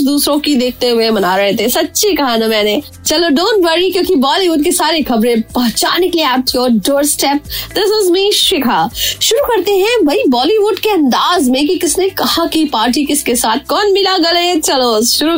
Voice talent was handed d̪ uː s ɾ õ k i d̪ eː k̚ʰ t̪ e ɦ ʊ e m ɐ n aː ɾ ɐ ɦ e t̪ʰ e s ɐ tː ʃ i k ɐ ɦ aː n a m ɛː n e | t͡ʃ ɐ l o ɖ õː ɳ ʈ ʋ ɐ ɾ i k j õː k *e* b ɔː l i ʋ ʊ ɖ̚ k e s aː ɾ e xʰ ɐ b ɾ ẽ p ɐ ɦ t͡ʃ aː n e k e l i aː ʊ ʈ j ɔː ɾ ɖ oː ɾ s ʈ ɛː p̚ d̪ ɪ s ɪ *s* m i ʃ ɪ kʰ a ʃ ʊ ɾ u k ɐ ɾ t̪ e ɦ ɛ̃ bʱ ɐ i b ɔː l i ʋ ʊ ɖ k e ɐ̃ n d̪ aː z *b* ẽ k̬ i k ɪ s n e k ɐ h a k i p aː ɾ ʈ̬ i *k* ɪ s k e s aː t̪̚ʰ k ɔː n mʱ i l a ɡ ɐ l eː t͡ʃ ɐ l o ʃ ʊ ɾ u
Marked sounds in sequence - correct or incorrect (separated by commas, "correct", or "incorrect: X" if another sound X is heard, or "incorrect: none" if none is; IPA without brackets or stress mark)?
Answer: incorrect: i, incorrect: z, incorrect: m, correct